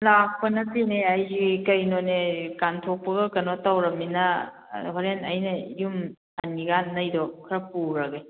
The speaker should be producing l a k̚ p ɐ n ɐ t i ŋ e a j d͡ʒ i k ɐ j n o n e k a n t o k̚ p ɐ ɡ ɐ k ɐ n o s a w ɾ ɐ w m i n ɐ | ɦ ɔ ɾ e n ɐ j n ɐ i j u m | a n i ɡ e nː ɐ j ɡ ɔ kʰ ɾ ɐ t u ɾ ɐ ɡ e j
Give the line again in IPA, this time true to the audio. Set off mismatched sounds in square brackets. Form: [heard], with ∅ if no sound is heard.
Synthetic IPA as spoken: l a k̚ p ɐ n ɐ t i [n] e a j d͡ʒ i k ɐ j n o n e k a n [tʰ] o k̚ p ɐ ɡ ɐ k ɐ n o [t] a w ɾ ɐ [∅] m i n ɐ | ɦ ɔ ɾ e n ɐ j n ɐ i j u m | a n i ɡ [a] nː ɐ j [d] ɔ kʰ ɾ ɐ [p] u ɾ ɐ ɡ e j

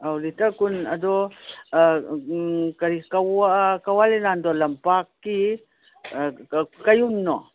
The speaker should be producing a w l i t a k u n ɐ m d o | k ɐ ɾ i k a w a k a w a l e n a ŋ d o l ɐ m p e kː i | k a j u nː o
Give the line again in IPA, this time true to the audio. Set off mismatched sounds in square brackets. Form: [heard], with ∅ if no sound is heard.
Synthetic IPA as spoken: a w l i t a k u n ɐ [∅] d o | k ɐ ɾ i k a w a k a w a l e n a [n] d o l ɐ m p [a] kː i | k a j u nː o

